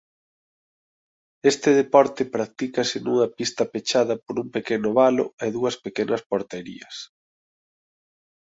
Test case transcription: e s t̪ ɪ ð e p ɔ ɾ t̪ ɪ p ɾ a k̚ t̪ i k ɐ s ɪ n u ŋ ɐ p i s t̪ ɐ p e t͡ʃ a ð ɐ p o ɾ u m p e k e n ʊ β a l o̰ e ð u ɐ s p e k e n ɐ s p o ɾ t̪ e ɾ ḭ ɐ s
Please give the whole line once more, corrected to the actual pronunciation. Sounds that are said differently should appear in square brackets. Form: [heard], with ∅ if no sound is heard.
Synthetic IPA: e s t̪ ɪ ð e p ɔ ɾ t̪ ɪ p ɾ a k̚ t̪ i k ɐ s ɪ n u ŋ ɐ p i s t̪ ɐ p e t͡ʃ a ð ɐ p o ɾ u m p e k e n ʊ β a l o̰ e ð u ɐ s p e k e n ɐ s p o ɾ t̪ e ɾ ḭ ɐ s